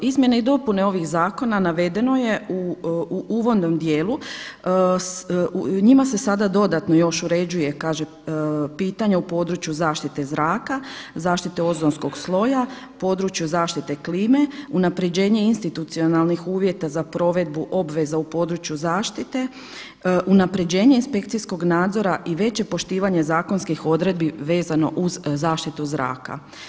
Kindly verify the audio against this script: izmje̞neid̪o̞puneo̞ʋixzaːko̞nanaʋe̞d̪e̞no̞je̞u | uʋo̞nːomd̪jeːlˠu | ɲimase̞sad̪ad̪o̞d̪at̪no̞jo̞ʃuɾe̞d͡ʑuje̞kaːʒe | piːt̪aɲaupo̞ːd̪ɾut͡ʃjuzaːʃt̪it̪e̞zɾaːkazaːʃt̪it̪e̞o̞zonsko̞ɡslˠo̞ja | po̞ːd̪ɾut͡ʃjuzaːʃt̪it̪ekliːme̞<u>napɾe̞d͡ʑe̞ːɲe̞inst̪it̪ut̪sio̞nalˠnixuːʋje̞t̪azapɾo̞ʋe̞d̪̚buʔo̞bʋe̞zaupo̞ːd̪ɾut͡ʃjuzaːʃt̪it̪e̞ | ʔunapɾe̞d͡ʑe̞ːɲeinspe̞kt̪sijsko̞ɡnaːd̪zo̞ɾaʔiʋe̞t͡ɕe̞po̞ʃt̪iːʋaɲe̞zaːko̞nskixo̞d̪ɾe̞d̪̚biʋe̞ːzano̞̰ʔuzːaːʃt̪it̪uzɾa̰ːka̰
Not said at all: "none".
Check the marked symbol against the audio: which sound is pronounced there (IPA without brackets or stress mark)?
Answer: u